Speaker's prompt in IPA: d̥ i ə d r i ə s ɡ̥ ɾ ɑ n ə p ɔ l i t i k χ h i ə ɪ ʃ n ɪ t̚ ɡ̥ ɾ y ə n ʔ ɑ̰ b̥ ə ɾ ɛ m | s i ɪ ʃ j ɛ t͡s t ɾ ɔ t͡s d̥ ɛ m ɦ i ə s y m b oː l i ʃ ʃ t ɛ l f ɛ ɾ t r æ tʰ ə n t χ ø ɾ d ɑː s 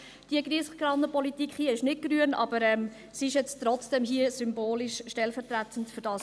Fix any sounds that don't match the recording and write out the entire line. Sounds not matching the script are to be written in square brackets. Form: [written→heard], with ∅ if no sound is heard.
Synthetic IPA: d̥ i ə [d→ɡ] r i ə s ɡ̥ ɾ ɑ n ə p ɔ l i t i k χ h i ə ɪ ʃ n ɪ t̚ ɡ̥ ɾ y ə n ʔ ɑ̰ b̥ ə ɾ ɛ m | s i ɪ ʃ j ɛ t͡s t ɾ ɔ t͡s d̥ ɛ m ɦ i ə s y m b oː l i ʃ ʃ t ɛ l f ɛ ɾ t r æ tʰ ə n t [χ→f] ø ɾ d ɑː s